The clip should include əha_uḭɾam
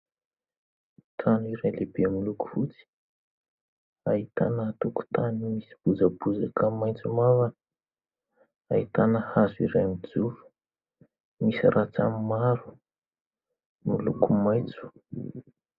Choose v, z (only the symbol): z